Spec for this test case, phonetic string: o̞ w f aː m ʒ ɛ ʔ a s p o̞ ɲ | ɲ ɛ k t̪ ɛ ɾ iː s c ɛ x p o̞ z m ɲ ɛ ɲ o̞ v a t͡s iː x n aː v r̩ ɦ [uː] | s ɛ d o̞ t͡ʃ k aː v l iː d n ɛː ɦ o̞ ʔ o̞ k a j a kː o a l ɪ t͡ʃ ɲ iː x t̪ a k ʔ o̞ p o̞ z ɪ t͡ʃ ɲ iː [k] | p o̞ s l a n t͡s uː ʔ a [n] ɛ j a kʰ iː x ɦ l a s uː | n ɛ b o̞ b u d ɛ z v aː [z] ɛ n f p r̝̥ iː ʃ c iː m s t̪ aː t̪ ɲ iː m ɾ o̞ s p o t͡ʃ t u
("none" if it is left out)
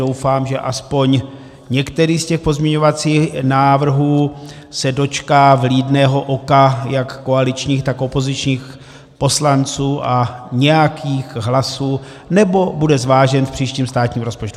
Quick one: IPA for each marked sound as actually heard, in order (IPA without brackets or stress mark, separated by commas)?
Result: uː, x, ɲ, ʒ